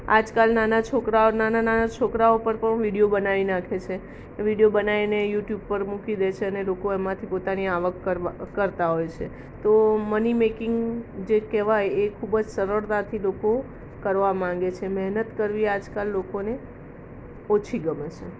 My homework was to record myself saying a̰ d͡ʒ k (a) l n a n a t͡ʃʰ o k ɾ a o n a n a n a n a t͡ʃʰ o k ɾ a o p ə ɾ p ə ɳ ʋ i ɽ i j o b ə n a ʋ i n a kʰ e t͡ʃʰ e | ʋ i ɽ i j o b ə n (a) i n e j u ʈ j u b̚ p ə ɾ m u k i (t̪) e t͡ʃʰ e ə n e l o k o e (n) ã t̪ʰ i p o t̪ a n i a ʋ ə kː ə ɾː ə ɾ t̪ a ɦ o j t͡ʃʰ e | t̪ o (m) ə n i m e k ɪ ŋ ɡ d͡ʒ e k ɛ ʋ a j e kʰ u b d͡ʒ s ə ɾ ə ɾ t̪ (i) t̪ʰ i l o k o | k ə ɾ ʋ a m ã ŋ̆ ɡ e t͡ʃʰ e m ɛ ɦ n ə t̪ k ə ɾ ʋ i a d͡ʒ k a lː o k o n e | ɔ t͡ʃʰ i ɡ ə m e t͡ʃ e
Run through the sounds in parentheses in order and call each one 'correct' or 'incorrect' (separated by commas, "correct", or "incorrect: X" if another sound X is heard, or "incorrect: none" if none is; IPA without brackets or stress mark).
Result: correct, correct, incorrect: d̪, incorrect: m, correct, incorrect: a